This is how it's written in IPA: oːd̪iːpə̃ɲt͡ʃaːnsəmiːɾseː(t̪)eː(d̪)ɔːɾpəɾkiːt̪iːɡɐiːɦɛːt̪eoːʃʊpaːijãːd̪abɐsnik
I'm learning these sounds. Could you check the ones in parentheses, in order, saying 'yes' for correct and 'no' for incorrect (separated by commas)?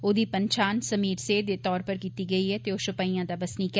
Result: no, no